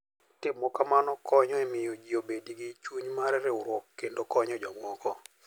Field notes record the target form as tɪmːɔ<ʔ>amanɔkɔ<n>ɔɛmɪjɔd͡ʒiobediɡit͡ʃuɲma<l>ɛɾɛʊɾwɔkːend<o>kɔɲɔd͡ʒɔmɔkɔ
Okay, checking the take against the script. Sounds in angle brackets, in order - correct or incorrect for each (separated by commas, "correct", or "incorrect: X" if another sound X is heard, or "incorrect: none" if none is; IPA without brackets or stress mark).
incorrect: k, incorrect: ɲ, incorrect: ɾ, correct